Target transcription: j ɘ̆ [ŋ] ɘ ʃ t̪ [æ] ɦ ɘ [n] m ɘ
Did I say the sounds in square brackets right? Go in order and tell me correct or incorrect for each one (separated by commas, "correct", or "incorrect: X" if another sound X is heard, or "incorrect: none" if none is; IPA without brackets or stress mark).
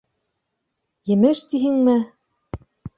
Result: incorrect: m, incorrect: i, incorrect: ŋ